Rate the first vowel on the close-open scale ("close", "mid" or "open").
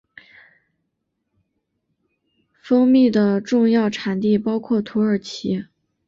mid